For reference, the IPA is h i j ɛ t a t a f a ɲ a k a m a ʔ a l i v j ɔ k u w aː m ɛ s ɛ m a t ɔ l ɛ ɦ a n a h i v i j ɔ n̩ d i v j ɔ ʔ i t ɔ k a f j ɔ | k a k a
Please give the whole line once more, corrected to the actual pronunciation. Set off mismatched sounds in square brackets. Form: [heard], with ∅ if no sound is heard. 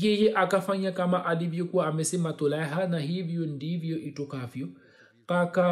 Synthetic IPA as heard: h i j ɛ [ʔ] a [k] a f a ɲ a k a m a ʔ a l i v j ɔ k u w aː m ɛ s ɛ m a t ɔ l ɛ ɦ a n a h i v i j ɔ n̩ d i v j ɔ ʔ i t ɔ k a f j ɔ | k a k a